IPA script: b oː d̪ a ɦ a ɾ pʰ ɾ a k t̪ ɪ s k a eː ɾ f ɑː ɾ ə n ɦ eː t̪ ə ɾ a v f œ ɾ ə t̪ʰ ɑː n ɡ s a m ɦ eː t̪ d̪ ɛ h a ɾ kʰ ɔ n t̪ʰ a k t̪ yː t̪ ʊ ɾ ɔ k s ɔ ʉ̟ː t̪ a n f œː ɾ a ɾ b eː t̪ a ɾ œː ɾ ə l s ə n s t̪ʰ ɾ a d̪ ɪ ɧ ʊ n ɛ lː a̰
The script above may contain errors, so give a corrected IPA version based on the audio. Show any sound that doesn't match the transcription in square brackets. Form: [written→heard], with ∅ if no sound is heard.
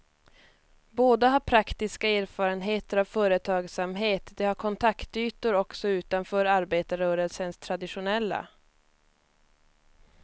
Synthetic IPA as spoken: b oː d̪ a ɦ a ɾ pʰ ɾ a k t̪ ɪ s k a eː ɾ f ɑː ɾ ə n ɦ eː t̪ ə ɾ a v f [œ→œː] ɾ ə t̪ʰ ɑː [n→∅] ɡ s a m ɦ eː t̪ d̪ ɛ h a ɾ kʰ ɔ n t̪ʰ a k t̪ yː t̪ ʊ ɾ ɔ k s ɔ ʉ̟ː t̪ a n f œː ɾ a ɾ b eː t̪ a ɾ œː ɾ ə l s ə n s t̪ʰ ɾ a d̪ ɪ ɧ ʊ n ɛ lː a̰